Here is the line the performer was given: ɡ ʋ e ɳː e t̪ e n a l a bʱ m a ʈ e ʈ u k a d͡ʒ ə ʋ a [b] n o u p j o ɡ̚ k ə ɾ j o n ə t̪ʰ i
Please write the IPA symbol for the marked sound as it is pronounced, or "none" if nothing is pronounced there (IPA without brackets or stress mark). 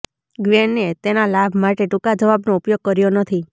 b